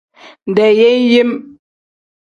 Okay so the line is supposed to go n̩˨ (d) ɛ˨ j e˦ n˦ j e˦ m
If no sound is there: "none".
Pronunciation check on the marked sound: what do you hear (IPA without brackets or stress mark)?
d